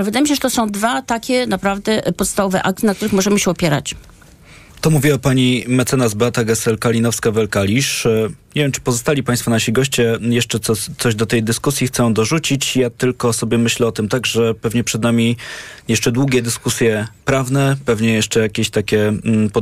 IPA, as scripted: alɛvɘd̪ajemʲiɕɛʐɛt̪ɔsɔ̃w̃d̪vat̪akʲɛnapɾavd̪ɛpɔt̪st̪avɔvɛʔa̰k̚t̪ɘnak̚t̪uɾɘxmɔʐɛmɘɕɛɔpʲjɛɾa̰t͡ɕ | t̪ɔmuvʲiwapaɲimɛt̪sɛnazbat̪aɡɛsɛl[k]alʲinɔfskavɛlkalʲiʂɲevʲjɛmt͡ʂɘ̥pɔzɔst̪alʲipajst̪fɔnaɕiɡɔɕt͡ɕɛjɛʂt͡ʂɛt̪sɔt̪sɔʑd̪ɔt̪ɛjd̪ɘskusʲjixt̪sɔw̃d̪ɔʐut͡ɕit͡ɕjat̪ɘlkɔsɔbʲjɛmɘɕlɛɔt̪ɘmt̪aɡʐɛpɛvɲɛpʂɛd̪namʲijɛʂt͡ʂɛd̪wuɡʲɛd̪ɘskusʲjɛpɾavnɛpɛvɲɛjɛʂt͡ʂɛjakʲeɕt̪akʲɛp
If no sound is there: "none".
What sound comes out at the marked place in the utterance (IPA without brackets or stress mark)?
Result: k